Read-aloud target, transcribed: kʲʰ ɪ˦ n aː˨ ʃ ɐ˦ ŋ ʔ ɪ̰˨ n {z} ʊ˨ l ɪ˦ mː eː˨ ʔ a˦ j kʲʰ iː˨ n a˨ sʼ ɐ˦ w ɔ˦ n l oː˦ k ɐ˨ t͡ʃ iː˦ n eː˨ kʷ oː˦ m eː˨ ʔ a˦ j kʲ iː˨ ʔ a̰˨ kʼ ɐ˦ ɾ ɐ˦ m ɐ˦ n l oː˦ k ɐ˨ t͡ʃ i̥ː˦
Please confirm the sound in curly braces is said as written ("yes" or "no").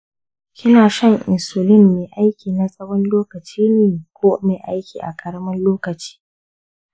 no